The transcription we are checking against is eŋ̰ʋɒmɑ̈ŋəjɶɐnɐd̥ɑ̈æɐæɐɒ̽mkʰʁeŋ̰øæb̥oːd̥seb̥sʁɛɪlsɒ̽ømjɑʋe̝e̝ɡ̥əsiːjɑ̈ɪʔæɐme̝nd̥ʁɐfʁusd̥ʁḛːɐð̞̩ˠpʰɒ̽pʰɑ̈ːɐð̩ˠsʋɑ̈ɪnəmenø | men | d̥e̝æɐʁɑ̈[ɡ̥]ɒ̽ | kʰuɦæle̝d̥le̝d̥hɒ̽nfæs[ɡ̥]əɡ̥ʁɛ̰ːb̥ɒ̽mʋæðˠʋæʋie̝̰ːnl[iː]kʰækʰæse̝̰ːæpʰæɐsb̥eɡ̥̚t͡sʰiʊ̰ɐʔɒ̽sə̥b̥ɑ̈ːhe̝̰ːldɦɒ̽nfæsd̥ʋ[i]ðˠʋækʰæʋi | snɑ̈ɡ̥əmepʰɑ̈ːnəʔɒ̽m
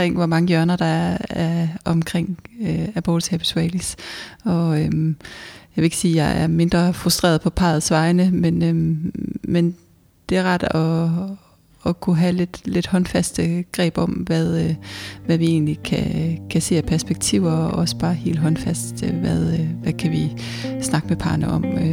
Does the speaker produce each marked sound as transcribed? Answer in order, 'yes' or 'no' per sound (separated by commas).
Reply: no, no, no, no